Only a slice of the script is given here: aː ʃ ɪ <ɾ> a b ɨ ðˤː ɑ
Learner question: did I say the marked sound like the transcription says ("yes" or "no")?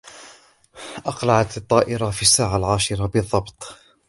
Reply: yes